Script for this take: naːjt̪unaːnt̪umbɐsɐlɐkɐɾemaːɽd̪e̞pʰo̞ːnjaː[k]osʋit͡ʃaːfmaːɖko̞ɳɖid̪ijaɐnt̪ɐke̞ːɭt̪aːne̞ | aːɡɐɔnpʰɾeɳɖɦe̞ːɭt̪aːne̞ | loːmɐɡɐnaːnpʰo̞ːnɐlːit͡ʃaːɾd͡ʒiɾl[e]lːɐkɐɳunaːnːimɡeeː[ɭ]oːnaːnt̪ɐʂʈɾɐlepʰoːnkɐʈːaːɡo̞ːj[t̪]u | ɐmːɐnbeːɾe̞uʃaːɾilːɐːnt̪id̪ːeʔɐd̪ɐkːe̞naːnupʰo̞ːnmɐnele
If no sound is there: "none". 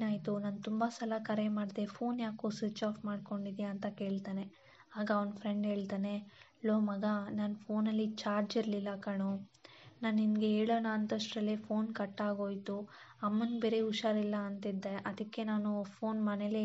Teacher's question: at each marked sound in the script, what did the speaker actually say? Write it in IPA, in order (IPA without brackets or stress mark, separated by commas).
k, i, ɭ, t̪